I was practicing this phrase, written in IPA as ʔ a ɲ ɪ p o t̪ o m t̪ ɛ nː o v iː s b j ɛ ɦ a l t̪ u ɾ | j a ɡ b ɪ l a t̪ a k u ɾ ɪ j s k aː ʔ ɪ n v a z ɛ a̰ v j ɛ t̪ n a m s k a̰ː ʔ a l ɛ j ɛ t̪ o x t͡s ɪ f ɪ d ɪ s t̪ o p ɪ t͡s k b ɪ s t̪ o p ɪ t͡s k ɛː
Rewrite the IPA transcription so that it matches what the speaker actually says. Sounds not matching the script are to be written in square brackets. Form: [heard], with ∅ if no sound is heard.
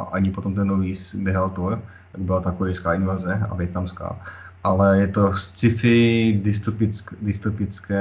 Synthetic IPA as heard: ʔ a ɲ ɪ p o t̪ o m t̪ ɛ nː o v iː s b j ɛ ɦ a l t̪ u ɾ | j a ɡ b ɪ l a t̪ a k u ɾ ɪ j s k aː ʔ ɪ n v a z ɛ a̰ v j ɛ t̪ n a m s k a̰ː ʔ a l ɛ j ɛ t̪ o [s] t͡s ɪ f ɪ d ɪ s t̪ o p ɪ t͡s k [d] ɪ s t̪ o p ɪ t͡s k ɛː